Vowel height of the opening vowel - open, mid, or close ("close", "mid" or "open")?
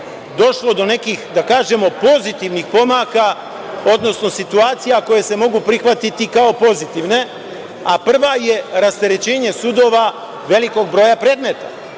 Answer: mid